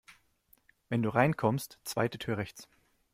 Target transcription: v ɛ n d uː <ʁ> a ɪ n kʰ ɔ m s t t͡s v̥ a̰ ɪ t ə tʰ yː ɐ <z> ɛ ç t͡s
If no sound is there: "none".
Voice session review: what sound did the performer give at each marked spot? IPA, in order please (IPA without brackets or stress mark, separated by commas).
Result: ʁ, ʁ